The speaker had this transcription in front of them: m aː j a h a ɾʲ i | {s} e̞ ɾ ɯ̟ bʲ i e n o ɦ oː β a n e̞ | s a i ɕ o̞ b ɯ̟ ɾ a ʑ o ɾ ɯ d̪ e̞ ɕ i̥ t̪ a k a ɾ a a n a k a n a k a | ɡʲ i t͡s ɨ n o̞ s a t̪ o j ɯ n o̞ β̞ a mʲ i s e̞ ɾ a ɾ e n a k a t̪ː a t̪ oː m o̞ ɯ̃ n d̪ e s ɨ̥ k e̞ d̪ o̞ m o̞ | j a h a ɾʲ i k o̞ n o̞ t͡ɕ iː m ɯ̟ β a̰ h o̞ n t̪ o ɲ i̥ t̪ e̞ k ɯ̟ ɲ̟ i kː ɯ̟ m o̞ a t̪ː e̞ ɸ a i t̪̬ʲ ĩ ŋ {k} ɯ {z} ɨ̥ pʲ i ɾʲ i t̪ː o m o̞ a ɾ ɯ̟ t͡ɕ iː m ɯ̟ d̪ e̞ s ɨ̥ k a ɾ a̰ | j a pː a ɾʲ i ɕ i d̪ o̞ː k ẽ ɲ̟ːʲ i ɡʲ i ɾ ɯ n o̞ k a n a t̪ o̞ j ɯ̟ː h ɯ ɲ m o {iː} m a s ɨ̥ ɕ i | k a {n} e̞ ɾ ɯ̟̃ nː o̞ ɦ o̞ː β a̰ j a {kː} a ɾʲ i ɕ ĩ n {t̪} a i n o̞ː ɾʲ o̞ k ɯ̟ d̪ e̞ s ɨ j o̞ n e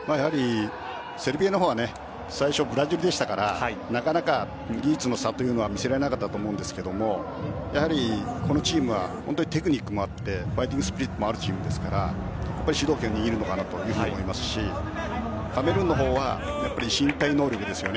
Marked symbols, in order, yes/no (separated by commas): yes, no, no, no, no, no, yes